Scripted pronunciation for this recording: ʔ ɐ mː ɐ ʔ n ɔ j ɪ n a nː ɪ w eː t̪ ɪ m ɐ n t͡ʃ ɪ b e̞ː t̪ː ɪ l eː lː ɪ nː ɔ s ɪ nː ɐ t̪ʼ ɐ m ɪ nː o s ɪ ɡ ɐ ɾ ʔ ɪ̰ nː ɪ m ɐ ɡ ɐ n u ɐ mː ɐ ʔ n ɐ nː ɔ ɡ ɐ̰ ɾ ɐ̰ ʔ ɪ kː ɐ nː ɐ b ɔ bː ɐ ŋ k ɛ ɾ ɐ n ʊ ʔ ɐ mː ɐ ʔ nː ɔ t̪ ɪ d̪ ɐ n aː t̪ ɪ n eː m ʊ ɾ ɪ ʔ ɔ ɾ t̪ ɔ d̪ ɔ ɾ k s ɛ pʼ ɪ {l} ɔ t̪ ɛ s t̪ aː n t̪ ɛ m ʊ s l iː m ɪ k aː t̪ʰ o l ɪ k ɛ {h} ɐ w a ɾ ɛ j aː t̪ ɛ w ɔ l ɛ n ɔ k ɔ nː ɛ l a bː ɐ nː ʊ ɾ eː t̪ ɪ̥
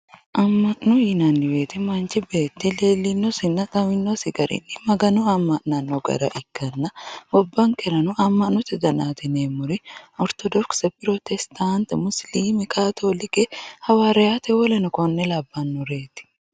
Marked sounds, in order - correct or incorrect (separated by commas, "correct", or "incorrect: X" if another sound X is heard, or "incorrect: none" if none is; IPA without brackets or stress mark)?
incorrect: ɾ, correct